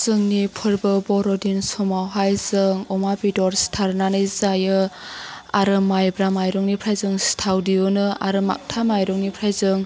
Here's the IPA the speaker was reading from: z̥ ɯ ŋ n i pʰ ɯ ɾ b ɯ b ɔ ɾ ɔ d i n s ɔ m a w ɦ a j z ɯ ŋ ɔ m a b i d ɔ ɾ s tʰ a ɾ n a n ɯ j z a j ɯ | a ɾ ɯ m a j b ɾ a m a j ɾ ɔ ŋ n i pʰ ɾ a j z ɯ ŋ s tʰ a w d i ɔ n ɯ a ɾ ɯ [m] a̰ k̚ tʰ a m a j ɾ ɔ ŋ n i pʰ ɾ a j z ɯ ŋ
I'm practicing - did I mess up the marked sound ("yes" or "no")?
no